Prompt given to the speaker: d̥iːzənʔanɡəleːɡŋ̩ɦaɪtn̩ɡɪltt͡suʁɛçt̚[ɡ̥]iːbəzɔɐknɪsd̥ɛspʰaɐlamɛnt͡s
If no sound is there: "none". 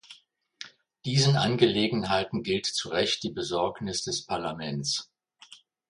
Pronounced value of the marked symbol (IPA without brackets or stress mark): d̥